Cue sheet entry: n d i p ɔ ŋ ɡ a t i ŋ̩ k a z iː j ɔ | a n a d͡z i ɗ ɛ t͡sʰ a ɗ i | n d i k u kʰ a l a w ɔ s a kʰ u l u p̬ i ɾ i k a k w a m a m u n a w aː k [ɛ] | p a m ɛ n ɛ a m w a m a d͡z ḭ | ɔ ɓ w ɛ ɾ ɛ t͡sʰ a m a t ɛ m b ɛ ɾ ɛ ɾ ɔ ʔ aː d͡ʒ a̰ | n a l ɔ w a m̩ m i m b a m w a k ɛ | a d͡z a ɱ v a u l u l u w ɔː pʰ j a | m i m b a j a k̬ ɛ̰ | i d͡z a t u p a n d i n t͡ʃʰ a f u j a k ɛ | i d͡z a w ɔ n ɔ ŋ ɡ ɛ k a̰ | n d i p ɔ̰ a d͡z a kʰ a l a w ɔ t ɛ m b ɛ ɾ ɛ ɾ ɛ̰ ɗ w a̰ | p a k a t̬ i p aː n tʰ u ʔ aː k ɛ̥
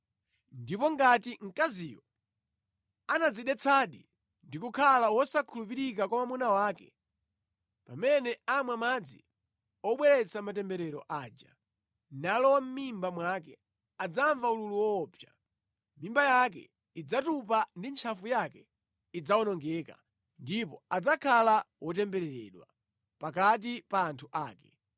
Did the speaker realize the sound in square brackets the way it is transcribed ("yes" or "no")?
yes